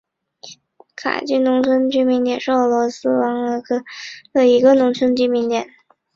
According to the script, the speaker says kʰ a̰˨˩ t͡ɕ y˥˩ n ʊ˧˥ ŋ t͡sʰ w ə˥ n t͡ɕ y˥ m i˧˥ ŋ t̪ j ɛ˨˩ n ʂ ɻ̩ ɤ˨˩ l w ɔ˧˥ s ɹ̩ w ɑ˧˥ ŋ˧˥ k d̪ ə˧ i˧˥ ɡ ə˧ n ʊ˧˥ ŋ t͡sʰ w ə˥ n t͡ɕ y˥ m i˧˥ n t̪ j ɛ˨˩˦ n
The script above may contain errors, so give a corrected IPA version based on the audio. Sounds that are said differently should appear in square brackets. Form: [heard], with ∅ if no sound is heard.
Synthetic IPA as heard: kʰ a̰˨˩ t͡ɕ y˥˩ n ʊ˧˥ ŋ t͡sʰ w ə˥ n t͡ɕ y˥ m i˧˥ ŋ t̪ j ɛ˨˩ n ʂ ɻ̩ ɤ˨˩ l w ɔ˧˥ s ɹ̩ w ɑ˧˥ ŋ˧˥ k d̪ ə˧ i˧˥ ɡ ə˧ n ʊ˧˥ ŋ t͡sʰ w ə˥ n t͡ɕ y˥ m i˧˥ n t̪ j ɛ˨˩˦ n